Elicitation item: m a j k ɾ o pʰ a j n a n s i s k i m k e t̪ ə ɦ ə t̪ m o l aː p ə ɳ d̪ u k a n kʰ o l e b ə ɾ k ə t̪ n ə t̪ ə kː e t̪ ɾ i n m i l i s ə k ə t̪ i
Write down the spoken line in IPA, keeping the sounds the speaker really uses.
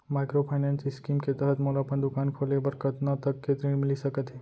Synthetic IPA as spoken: m a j k ɾ o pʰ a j n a n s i s k i m k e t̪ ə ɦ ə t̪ m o l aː p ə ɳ d̪ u k a n kʰ o l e b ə ɾ k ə t̪ n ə t̪ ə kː e t̪ ɾ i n m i l i s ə k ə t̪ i